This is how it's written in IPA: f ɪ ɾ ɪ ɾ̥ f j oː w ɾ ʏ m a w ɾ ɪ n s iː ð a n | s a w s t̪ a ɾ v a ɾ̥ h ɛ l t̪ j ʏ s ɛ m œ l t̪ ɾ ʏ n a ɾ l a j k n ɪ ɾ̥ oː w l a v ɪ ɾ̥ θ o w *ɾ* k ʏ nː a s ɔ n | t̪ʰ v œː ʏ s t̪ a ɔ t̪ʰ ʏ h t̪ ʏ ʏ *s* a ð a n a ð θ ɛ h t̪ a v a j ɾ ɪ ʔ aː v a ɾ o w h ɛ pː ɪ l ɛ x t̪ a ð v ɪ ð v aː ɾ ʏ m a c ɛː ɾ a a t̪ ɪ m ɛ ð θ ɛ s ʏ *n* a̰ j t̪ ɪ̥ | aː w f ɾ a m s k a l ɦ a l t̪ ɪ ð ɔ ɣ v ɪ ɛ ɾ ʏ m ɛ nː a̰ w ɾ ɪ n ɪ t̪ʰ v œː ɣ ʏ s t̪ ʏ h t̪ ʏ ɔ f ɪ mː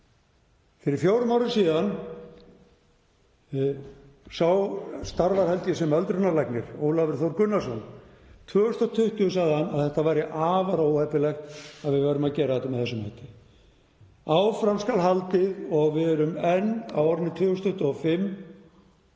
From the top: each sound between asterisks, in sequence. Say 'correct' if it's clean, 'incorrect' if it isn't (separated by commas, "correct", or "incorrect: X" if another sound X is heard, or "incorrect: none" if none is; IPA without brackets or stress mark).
correct, correct, incorrect: m